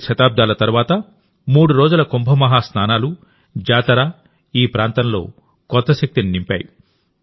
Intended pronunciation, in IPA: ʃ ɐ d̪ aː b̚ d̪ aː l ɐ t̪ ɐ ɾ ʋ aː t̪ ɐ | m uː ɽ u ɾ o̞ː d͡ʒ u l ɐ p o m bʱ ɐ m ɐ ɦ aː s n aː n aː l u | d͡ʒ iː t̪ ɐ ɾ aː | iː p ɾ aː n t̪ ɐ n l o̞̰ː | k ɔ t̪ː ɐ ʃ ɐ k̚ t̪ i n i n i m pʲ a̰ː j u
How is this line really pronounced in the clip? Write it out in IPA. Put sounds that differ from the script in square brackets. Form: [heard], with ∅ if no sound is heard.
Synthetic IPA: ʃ ɐ [t̪] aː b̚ d̪ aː l ɐ t̪ ɐ ɾ ʋ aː t̪ ɐ | m uː ɽ u ɾ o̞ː d͡ʒ u l ɐ [k] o m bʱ ɐ m ɐ ɦ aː s n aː n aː l u | d͡ʒ [aː] t̪ ɐ ɾ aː | iː p ɾ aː n t̪ ɐ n l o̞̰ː | k ɔ t̪ː ɐ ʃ ɐ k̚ t̪ i n i n i m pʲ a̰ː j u